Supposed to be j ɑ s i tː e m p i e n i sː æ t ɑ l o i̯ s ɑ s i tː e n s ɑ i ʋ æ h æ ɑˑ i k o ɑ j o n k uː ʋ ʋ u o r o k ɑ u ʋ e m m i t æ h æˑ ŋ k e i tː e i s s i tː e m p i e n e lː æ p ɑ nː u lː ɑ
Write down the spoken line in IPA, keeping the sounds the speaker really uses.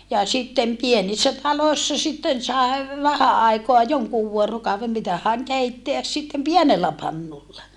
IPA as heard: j ɑ s i tː e m p i e n i sː æ t ɑ l o i̯ sː ɑ s i tː e n s ɑ e ʋ æ h æ ɑˑ i k o ɑ j o ŋ k uː ʋ ʋ u o r o k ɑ u ʋ e m m i t æ h æˑ ŋ k e i tː e æ s s i tː e m p i e n e lː æ p ɑ nː u lː ɑ